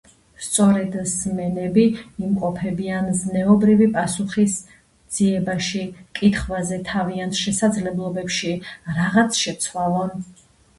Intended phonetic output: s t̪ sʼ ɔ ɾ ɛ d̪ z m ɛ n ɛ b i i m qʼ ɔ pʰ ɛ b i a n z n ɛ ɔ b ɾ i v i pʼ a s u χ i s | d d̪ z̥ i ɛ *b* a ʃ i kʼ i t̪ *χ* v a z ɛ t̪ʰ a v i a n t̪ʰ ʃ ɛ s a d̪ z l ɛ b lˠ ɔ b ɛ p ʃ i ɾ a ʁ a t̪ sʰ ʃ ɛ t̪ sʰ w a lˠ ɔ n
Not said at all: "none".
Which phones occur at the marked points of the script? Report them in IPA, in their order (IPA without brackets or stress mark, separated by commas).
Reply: b, χ